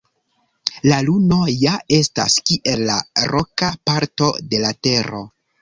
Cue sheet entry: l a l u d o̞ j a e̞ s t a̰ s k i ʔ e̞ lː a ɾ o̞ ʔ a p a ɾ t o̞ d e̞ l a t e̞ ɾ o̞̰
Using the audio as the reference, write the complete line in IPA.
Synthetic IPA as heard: l a l u n o̞ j a e̞ s t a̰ s k i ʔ e̞ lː a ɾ o̞ k a p a ɾ t o̞ d e̞ l a t e̞ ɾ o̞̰